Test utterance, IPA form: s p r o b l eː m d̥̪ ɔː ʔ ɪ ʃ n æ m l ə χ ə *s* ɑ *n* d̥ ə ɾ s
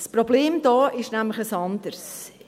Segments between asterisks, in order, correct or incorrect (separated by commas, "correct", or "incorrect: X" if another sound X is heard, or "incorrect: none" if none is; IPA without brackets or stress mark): correct, correct